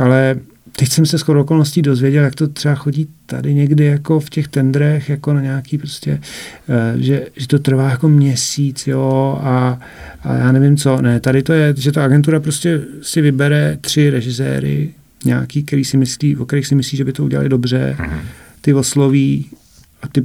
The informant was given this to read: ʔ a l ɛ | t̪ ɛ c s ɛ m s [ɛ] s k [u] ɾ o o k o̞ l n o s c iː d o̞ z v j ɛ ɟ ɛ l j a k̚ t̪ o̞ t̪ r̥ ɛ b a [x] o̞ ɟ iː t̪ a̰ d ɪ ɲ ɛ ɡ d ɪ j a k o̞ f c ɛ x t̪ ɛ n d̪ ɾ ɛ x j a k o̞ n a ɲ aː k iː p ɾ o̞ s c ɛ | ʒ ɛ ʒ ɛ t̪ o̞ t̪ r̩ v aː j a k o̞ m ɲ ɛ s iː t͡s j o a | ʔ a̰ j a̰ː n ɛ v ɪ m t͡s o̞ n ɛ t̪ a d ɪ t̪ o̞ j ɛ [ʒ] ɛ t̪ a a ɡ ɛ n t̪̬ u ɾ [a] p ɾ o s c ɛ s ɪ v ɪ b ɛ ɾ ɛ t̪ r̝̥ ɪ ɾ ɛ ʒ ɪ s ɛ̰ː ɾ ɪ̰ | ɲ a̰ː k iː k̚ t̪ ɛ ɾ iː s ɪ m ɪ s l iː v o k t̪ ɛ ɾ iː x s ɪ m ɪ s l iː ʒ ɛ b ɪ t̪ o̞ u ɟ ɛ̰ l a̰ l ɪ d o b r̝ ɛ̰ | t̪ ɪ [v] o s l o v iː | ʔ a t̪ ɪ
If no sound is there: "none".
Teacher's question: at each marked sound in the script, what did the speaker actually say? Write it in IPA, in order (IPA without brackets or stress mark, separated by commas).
ɛ, o, x, ʒ, a, v